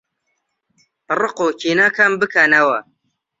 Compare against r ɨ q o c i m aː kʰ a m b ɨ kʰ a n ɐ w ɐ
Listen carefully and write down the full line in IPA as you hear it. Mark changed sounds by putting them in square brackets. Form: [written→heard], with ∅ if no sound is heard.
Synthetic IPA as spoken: r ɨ q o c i [m→n] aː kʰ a m b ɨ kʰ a n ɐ w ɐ